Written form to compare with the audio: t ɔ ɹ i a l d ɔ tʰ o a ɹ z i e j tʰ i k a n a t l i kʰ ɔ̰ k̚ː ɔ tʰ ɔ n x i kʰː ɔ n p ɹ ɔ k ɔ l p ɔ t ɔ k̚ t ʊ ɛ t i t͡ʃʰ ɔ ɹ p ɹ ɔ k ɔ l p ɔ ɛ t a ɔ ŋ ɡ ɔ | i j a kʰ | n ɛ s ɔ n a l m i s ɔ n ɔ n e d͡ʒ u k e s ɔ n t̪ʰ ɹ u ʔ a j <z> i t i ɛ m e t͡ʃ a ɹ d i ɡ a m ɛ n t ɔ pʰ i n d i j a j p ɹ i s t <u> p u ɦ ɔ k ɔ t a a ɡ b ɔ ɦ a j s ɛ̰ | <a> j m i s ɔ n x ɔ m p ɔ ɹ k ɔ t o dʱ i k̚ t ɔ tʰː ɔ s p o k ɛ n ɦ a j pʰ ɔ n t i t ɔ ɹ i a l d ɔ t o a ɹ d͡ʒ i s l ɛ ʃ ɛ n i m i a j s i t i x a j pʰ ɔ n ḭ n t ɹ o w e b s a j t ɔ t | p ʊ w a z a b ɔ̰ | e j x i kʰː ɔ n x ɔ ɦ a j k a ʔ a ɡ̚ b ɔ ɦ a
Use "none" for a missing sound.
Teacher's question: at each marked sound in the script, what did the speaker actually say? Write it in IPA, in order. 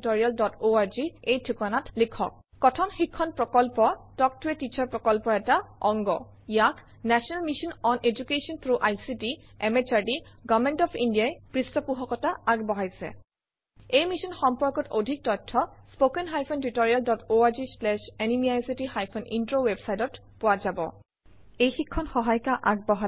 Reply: s, ɔ, e

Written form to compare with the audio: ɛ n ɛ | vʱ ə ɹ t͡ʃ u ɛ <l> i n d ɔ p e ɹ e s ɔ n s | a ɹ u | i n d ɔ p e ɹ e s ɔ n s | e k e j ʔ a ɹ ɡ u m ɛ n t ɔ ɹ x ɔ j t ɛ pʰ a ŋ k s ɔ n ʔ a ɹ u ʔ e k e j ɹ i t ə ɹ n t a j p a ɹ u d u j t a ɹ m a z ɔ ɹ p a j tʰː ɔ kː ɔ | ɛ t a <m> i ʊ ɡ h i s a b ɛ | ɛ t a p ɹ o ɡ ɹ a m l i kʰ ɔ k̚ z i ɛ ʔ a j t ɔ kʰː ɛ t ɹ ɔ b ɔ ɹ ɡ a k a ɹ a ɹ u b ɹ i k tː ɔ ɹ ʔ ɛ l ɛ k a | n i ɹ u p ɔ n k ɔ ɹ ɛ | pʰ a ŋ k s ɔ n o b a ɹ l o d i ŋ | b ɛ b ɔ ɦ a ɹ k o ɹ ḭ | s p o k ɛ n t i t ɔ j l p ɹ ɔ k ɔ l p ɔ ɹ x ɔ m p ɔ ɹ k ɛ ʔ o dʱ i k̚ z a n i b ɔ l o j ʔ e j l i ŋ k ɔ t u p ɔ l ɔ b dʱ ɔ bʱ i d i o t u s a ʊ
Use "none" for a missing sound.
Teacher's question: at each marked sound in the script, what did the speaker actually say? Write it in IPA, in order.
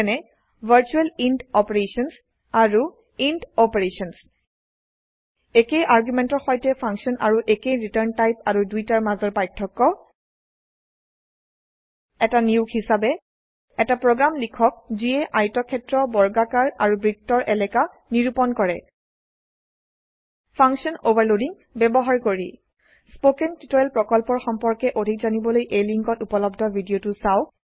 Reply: l, n

